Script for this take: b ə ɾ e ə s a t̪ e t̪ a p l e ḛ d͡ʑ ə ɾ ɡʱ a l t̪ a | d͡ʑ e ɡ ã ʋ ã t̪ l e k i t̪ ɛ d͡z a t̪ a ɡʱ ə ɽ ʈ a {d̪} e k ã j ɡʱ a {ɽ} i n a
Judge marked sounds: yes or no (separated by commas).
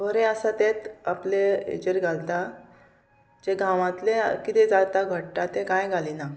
no, no